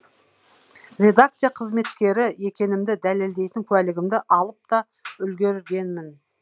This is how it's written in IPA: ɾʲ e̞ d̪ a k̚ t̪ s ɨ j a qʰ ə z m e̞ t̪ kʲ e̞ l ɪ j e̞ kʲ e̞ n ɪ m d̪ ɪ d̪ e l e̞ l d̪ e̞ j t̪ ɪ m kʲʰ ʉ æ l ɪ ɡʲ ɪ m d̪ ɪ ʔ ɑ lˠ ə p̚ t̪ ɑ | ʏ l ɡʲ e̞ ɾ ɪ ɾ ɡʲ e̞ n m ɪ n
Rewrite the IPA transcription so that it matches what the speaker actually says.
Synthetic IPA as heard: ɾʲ e̞ d̪ a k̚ t̪ s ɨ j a qʰ ə z m e̞ t̪ kʲ e̞ ɾ ɪ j e̞ kʲ e̞ n ɪ m d̪ ɪ d̪ æ l e̞ l d̪ e̞ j t̪ ɪ ŋ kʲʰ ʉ æ l ɪ ɡʲ ɪ m d̪ ɪ ʔ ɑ lˠ ə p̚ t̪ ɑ | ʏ l ɡʲ e̞ ɾ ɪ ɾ ɡʲ e̞ n m ɪ n

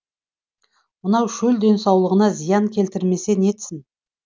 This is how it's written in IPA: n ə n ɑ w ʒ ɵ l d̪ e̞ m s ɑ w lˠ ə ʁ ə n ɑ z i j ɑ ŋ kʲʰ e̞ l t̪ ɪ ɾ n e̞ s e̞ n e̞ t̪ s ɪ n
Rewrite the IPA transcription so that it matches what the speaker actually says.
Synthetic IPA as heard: m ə n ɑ w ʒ ɵ l d̪ e̞ n s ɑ w lˠ ə ʁ ə n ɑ z i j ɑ ŋ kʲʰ e̞ l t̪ ɪ ɾ m e̞ s e̞ n e̞ t̪ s ɪ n

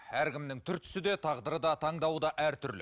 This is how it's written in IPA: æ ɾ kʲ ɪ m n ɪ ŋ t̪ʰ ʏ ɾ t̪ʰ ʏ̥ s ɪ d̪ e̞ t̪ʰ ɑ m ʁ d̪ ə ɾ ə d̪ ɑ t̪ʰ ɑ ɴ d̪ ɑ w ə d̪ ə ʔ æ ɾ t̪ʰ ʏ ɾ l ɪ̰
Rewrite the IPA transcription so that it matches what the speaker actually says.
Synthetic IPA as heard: æ ɾ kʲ ɪ m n ɪ ŋ t̪ʰ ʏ ɾ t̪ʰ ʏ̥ s ɪ d̪ e̞ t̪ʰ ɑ ʁ d̪ ə ɾ ə d̪ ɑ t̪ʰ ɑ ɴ d̪ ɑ w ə d̪ ɑ ʔ æ ɾ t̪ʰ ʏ ɾ l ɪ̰

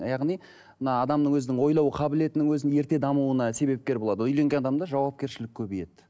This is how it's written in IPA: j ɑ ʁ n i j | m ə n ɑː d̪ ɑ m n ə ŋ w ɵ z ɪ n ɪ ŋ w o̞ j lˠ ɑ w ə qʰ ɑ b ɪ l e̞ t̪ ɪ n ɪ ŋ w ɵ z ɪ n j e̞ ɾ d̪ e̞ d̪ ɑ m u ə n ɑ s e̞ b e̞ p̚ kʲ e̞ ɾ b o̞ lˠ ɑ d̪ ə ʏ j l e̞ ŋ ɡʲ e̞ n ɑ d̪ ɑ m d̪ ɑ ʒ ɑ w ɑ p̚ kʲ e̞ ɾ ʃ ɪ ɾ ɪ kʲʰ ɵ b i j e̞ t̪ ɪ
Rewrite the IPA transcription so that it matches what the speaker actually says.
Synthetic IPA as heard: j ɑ ʁ n i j | m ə n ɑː d̪ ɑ m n ə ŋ w ɵ z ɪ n ɪ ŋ w o̞ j lˠ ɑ w ə qʰ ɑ b ɪ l e̞ t̪ ɪ n ɪ ŋ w ɵ z ɪ n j e̞ ɾ t̪ e̞ d̪ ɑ m u ə n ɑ s e̞ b e̞ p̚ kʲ e̞ ɾ b o̞ lˠ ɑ d̪ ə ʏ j l e̞ ŋ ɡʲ e̞ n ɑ d̪ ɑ m d̪ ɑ ʒ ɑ w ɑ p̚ kʲ e̞ ɾ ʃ ɪ l ɪ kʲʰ ɵ b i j e̞ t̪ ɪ

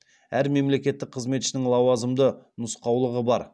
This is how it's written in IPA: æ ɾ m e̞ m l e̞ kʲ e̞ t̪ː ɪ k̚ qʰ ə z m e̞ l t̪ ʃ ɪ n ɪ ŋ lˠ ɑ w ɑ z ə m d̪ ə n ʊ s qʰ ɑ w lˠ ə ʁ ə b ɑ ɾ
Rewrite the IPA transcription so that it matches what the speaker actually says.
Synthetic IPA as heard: æ ɾ m e̞ m l e̞ kʲ e̞ t̪ː ɪ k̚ qʰ ə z m e̞ t̪ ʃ ɪ n ɪ ŋ lˠ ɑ w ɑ z ə m d̪ ə n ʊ s q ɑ w lˠ ə ʁ ə b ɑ ɾ

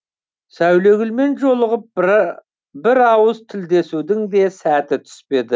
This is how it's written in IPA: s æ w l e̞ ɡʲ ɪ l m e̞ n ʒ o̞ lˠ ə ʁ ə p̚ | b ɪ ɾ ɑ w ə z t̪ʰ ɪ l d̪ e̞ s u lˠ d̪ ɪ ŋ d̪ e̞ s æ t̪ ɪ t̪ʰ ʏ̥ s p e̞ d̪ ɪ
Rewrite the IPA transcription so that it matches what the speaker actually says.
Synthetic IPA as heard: s æ w l e̞ ɡʲ ɪ l m e̞ n ʒ o̞ lˠ ə ʁ ə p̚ | b ɪ ɾ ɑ w ə z t̪ʰ ɪ l d̪ e̞ s u d̪ ɪ ŋ d̪ e̞ s æ t̪ ɪ t̪ʰ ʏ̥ s p e̞ d̪ ɪ

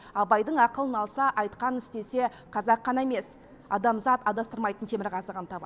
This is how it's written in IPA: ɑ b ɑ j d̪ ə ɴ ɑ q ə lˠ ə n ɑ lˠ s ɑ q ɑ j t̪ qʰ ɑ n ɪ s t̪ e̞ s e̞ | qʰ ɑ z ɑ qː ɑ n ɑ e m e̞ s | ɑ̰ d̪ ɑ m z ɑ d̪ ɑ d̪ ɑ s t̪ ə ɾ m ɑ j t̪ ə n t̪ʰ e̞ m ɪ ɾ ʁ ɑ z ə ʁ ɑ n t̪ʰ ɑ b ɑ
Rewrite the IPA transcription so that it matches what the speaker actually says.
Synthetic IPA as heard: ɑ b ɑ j d̪ ə ɴ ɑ q ə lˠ ə n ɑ lˠ s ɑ ʔ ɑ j t̪ q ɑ n ɪ s t̪ e̞ s e̞ | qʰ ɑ z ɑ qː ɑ n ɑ e m e̞ s | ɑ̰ d̪ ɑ m z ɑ t̪ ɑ d̪ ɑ s t̪ ə ɾ m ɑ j t̪ ə n t̪ʰ e̞ m ɪ ɾ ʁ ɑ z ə ʁ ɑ n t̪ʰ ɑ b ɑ

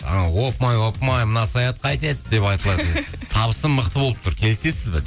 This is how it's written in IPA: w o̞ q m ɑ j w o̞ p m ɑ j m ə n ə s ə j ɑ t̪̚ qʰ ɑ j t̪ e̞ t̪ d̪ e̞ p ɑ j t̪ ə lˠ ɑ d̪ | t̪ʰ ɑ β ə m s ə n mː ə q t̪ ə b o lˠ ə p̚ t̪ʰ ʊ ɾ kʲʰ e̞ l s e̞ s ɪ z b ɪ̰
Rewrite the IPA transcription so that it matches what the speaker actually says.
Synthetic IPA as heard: w o̞ p m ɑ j w o̞ p m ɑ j m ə n ɑ s ɑ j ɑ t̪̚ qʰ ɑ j t̪ e̞ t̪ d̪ e̞ p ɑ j t̪ ə lˠ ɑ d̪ | t̪ʰ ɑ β ə s ə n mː ə q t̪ ə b o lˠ ə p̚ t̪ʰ ʊ ɾ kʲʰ e̞ l s e̞ s ɪ z b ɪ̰

